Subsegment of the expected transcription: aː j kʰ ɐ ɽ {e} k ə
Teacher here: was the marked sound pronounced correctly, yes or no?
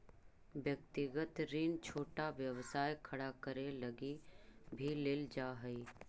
no